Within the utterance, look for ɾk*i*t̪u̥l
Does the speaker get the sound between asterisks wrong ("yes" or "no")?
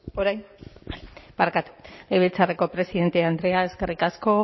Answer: yes